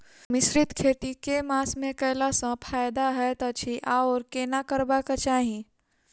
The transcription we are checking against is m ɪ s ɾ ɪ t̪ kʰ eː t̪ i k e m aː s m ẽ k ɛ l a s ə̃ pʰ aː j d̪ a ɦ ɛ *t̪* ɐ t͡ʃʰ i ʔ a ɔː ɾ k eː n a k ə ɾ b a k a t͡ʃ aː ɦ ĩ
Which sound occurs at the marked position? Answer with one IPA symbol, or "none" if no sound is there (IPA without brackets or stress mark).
t̪